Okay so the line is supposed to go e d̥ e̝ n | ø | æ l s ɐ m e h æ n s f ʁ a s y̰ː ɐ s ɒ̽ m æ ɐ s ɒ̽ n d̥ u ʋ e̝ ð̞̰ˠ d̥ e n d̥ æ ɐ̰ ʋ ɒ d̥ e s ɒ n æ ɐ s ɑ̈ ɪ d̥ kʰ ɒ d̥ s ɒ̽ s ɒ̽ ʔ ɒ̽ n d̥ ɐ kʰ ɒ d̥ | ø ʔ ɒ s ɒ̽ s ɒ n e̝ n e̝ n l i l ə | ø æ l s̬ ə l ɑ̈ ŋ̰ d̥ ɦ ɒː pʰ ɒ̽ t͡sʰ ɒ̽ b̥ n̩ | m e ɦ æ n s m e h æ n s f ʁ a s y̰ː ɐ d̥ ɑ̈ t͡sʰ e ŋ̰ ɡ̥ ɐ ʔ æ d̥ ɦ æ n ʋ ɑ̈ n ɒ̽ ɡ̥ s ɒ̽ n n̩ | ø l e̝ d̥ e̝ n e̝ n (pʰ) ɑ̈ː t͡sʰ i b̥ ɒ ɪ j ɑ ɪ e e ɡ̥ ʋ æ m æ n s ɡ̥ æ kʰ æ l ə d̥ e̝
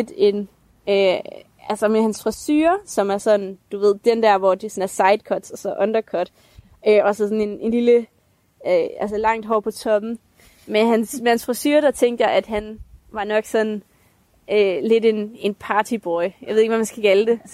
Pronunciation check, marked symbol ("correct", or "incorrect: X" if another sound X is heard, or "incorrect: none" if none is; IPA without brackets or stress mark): correct